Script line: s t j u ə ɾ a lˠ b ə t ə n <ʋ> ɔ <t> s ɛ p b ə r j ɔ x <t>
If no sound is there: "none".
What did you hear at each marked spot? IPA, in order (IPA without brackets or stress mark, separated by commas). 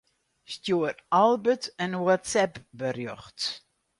w, t, t